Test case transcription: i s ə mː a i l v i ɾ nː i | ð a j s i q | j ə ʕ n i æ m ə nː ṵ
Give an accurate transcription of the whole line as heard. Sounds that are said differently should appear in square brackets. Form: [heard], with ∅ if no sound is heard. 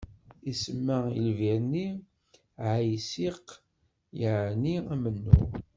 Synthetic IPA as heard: i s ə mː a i l v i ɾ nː i | [ʕ] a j s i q | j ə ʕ n i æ m ə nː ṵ